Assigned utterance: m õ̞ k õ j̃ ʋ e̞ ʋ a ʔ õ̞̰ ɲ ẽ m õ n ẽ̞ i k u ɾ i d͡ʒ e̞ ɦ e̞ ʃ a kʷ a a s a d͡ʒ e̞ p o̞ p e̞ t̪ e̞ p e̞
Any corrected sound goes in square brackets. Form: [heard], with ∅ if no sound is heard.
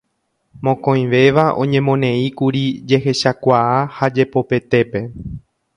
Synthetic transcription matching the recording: m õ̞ k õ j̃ ʋ e̞ ʋ a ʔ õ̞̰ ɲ ẽ m õ n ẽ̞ i k u ɾ i d͡ʒ e̞ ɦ e̞ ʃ a kʷ a a [h] a d͡ʒ e̞ p o̞ p e̞ t̪ e̞ p e̞